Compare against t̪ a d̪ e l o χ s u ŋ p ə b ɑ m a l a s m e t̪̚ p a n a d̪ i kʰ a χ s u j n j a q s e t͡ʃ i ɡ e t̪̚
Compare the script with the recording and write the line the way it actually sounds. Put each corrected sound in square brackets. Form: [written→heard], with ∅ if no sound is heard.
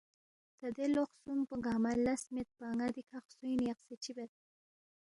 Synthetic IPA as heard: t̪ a d̪ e l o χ s u [ŋ→m] p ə [b→ɡ] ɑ m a l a s m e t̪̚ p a [n→ŋ] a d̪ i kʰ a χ s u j n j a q s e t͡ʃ i [ɡ→b] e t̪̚